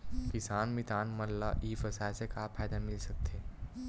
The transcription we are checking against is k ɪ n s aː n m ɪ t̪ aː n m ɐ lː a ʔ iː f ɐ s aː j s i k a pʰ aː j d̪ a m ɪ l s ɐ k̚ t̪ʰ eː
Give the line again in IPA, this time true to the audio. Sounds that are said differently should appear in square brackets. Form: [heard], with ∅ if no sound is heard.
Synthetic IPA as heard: k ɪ [∅] s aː n m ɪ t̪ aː n m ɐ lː a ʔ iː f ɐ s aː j s [e] k a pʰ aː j d̪ a m ɪ l s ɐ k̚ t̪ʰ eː